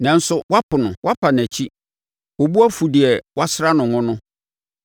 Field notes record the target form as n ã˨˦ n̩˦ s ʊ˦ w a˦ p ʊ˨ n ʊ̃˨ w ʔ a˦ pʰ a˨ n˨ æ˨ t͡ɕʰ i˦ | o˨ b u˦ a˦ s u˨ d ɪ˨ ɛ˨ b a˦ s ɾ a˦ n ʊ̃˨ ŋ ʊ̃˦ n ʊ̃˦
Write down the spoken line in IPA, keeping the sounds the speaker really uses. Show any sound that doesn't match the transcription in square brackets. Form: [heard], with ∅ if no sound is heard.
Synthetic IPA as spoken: n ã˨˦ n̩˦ s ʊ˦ w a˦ p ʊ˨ n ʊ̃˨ w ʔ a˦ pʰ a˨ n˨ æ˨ t͡ɕʰ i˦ | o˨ b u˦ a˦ [f] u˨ d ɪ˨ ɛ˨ [w] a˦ s ɾ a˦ n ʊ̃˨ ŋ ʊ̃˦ n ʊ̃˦